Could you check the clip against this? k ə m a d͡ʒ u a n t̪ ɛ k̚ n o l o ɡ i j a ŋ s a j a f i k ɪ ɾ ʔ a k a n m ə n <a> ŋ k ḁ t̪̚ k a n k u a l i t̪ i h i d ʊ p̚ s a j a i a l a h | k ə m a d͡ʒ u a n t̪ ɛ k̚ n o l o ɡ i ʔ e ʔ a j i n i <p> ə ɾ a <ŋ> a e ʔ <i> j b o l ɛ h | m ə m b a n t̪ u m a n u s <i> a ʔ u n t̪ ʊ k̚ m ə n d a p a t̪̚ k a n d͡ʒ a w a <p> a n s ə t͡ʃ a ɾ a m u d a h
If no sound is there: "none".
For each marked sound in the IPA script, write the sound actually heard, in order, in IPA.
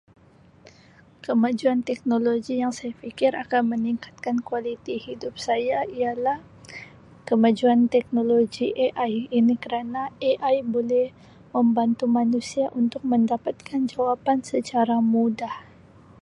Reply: i, k, n, a, i, p

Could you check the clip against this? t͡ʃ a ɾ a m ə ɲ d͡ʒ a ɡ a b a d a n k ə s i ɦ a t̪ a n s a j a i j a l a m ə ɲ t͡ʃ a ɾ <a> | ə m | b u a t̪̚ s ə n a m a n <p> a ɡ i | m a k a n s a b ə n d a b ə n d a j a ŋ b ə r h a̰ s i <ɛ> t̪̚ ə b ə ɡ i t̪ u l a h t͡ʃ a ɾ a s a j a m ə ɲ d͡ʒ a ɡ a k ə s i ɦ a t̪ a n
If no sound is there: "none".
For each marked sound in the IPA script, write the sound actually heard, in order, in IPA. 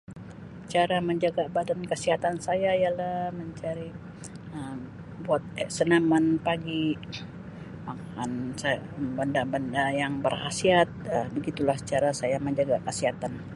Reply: i, p, a

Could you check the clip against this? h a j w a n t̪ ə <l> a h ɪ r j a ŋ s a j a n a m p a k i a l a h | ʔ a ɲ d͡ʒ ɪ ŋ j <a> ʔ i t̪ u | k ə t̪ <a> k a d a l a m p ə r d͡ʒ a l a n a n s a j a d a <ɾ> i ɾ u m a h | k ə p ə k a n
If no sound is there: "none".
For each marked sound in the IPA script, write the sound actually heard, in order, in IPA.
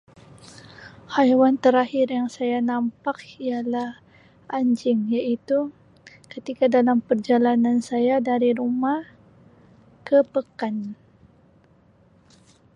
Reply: ɾ, a, i, ɾ

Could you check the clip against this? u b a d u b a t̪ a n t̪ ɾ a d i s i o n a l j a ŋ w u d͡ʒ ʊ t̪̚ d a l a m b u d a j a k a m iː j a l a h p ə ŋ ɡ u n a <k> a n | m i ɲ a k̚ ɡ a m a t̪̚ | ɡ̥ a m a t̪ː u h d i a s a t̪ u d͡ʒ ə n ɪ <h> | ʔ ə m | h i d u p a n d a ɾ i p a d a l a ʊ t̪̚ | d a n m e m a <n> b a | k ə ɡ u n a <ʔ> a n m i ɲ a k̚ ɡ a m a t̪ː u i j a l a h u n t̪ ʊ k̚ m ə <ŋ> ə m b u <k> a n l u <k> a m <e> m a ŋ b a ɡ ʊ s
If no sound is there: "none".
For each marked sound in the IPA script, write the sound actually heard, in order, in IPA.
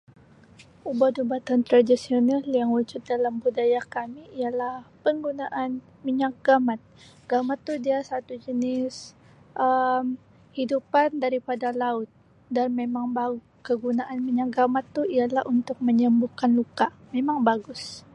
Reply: ʔ, s, ŋ, ʔ, ɲ, k, k, e

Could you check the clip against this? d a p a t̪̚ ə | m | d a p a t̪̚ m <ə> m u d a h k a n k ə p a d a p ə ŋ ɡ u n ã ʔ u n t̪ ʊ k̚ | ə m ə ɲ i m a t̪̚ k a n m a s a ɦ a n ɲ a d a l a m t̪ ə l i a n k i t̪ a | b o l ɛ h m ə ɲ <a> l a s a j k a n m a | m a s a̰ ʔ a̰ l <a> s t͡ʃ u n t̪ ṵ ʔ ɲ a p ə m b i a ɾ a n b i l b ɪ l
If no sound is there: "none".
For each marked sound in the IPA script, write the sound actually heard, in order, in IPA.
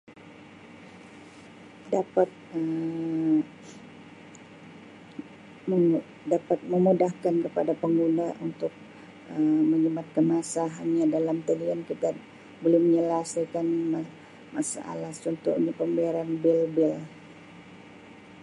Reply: ə, ə, a

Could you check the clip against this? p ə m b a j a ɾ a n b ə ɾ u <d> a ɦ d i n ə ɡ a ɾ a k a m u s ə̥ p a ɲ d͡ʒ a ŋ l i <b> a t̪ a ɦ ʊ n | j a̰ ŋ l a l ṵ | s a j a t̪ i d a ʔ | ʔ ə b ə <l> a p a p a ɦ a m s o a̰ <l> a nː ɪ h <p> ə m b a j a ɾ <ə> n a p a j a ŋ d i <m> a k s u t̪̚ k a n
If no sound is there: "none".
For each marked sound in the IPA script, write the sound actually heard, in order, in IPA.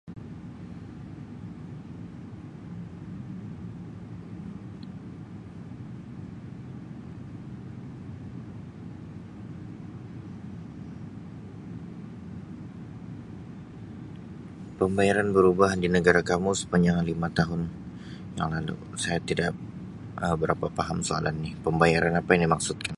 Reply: b, m, ɾ, l, p, a, m

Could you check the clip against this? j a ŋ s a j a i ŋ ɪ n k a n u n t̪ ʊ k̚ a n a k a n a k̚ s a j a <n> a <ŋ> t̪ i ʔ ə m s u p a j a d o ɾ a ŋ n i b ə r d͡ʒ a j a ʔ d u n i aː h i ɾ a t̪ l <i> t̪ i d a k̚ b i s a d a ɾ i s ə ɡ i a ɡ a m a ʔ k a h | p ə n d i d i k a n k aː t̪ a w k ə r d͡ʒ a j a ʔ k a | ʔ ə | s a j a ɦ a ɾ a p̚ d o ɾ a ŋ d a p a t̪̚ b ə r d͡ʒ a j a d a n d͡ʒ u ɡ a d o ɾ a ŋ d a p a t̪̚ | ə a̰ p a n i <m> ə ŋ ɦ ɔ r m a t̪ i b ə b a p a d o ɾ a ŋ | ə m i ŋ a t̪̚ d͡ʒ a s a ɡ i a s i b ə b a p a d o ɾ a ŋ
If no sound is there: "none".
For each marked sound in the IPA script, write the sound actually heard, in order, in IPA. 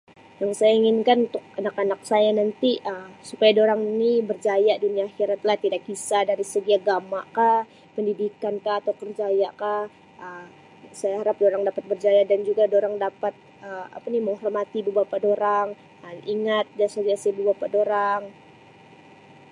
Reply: n, n, a, m

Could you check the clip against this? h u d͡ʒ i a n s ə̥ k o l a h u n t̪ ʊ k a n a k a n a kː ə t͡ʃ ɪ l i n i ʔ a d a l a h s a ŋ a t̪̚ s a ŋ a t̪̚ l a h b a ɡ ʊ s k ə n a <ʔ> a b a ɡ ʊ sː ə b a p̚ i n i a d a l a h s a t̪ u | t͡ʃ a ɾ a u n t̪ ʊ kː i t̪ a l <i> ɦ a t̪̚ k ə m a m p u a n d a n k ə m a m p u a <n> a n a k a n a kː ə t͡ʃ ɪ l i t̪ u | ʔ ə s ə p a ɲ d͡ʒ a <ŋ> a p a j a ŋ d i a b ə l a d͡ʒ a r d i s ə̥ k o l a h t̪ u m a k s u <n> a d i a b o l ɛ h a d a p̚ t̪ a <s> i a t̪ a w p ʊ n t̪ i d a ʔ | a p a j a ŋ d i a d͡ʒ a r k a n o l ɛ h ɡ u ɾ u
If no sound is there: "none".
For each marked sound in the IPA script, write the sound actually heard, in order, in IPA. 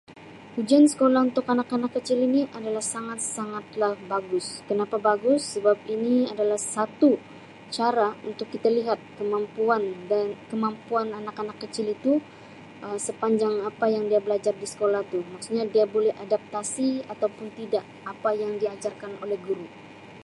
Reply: p, i, n, ŋ, ɲ, s

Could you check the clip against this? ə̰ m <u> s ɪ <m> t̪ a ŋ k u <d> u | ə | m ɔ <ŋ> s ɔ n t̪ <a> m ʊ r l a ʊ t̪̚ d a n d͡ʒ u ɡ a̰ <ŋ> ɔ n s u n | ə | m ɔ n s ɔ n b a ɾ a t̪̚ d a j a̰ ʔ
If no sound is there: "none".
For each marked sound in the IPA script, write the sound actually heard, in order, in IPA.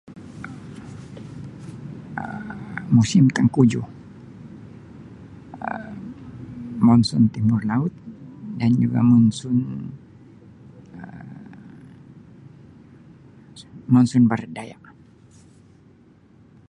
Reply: u, m, d͡ʒ, n, i, m

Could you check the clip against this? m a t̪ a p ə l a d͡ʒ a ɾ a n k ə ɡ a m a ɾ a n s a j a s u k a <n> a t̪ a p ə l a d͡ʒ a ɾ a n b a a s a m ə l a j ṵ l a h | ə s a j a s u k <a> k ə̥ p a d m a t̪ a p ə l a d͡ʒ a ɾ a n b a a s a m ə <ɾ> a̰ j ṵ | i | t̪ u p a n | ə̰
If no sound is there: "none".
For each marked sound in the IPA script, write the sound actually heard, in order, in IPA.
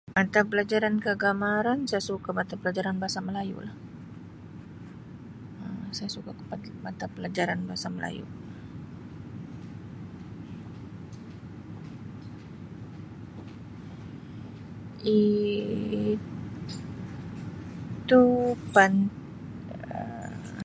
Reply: m, a, l

